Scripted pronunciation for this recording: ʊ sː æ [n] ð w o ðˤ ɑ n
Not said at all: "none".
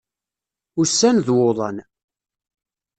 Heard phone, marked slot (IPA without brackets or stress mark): n